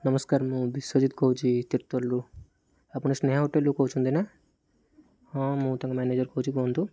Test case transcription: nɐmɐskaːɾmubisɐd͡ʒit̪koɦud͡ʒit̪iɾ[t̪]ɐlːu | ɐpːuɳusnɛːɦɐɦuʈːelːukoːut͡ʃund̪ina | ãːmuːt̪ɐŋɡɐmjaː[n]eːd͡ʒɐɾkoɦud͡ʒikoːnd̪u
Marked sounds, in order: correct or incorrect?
correct, correct

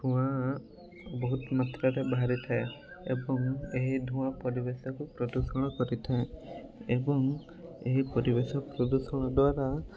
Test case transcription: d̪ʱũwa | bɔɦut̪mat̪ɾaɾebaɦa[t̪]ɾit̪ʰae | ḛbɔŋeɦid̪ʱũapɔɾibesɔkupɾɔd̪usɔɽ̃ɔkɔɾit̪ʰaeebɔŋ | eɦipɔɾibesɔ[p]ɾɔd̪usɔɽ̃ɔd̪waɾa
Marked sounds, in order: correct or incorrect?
incorrect: none, correct

